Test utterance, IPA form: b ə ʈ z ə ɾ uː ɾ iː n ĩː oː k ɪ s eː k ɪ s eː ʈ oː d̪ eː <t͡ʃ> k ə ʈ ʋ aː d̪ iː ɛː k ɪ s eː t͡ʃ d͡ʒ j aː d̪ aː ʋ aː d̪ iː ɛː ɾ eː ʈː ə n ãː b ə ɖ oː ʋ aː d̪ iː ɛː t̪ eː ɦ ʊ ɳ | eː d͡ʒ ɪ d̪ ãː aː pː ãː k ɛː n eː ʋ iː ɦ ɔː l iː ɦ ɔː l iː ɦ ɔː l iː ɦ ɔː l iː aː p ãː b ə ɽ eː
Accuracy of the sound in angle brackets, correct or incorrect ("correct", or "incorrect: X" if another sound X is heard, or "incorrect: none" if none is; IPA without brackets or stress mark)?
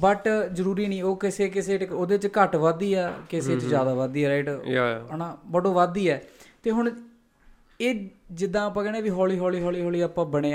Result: correct